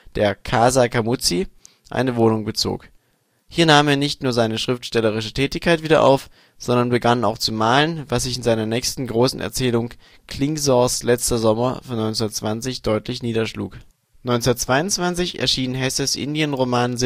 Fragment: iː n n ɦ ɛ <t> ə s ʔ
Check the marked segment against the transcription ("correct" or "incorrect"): incorrect